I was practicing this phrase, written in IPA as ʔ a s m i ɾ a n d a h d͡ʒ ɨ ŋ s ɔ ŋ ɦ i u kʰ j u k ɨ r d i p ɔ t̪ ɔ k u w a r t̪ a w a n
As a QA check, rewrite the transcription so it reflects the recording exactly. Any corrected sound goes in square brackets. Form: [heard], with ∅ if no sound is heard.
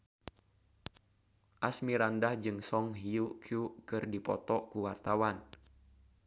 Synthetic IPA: ʔ a s m i ɾ a n d a h d͡ʒ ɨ ŋ s ɔ ŋ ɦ i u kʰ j u k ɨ r d i p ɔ t̪ ɔ k u w a r t̪ a w a n